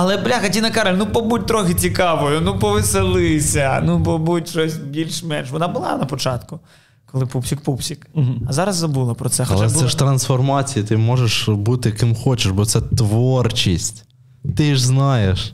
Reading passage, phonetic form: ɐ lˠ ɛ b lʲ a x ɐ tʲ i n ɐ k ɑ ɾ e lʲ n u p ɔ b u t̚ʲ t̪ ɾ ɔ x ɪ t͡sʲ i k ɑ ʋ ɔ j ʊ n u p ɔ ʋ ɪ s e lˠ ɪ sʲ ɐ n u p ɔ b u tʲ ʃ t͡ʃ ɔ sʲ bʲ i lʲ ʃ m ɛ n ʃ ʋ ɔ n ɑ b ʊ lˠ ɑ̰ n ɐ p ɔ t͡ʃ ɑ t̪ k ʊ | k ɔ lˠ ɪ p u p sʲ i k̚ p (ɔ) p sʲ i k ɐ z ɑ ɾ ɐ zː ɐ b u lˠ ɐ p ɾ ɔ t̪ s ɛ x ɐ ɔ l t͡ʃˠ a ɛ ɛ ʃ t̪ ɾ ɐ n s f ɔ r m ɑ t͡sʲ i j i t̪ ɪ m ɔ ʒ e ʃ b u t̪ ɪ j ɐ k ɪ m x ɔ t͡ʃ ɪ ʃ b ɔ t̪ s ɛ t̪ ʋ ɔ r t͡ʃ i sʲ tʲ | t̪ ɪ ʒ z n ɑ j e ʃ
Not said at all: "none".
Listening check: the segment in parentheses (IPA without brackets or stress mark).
u